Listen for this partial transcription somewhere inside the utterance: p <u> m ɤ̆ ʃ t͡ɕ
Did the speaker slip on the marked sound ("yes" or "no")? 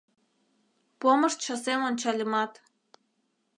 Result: yes